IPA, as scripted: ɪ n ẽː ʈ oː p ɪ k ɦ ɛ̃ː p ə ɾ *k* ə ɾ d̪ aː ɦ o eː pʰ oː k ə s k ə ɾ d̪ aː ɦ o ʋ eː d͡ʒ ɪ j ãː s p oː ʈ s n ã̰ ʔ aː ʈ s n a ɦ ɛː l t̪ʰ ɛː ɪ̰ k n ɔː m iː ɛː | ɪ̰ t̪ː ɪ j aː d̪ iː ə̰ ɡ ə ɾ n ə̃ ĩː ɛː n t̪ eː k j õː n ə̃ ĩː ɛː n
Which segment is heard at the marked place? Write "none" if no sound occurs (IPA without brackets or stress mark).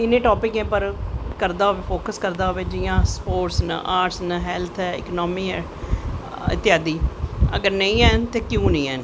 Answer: k